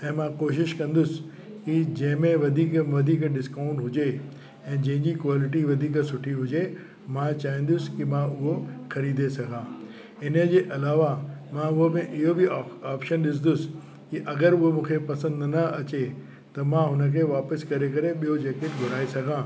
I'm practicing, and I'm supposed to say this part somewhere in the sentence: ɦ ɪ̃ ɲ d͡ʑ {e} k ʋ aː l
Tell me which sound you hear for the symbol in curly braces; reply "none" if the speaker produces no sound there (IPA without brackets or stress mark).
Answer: i